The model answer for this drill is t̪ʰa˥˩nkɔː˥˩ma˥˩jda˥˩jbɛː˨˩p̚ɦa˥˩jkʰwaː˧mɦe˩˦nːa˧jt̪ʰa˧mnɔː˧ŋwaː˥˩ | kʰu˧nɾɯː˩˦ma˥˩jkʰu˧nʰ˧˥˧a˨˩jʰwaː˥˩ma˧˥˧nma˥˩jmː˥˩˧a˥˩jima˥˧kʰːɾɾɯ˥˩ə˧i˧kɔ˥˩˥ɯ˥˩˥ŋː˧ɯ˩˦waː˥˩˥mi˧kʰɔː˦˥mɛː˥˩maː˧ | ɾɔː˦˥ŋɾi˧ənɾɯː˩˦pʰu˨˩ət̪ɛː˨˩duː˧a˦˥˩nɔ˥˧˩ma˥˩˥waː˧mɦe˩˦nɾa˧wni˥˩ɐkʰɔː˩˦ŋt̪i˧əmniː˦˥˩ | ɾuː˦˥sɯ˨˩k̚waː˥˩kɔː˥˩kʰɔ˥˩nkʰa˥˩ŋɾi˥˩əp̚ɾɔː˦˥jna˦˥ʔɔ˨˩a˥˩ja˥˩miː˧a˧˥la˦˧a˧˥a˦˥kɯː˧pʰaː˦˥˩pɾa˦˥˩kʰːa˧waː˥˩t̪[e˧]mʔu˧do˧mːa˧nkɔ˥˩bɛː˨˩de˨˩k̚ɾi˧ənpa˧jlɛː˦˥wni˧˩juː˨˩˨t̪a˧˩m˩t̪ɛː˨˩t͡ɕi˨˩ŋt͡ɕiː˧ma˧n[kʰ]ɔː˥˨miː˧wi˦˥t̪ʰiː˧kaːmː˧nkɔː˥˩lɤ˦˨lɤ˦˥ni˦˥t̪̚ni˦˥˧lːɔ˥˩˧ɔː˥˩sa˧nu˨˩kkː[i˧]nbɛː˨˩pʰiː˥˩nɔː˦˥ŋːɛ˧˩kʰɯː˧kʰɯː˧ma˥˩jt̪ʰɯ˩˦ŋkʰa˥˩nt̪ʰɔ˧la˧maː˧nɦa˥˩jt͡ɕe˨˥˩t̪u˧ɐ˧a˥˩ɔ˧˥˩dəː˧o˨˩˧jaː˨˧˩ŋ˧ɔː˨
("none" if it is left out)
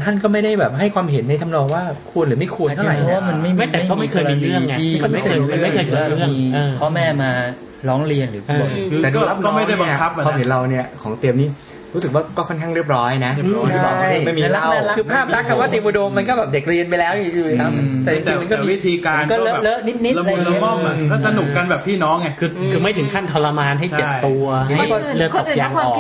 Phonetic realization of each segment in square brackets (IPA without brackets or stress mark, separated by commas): i˧, k, a˧